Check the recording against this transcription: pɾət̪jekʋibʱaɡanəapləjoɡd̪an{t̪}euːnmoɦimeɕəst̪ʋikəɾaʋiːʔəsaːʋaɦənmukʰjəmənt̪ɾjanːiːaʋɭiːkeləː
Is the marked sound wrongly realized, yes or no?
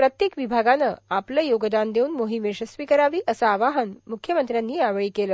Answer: yes